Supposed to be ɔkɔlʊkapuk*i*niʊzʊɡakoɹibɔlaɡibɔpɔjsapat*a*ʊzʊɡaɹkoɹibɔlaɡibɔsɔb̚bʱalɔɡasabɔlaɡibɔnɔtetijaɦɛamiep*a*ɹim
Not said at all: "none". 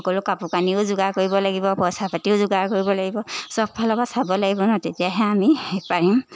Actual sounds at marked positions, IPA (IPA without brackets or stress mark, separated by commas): a, i, a